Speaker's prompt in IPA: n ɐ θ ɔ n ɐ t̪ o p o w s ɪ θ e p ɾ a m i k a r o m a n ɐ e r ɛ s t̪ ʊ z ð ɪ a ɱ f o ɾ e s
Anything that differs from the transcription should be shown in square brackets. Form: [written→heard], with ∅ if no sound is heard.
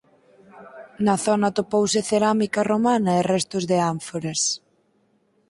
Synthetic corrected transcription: n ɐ θ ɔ n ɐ t̪ o p o w s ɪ θ e [p→∅] ɾ a m i k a r o m a n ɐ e r ɛ s t̪ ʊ z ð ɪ a ɱ f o ɾ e s